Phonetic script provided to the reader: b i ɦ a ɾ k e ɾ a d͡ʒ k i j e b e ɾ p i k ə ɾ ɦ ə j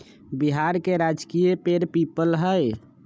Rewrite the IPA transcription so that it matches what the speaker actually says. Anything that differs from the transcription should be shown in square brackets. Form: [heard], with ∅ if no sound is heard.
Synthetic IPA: b i ɦ a ɾ k e ɾ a d͡ʒ k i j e [p] e ɾ p i [p] ə [l] ɦ ə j